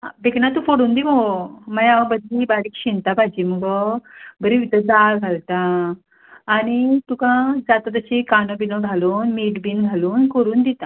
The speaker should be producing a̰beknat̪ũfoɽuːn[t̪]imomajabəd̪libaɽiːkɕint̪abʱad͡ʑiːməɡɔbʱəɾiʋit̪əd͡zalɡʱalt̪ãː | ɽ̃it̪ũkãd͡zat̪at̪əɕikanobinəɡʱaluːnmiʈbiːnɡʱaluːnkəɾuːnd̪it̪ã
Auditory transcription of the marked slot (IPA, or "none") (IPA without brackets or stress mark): d̪